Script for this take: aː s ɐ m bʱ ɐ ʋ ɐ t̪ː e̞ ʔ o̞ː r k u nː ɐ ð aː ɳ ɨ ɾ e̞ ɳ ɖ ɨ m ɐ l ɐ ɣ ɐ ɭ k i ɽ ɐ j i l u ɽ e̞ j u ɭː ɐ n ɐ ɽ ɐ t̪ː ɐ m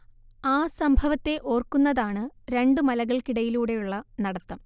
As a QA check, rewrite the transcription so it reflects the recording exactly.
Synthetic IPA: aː s ɐ m bʱ ɐ ʋ ɐ t̪ː e̞ ʔ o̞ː r k u nː ɐ ð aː ɳ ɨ ɾ e̞ ɳ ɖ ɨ m ɐ l ɐ ɣ ɐ ɭ k i ɽ ɐ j i l uː ɽ e̞ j u ɭː ɐ n ɐ ɽ ɐ t̪ː ɐ m